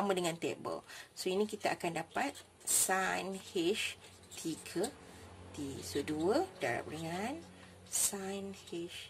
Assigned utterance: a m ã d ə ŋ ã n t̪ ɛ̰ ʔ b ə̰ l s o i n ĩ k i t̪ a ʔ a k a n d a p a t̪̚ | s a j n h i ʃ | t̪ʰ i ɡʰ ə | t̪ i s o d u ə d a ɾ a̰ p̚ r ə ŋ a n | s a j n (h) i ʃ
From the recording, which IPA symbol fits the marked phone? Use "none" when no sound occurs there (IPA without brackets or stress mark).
h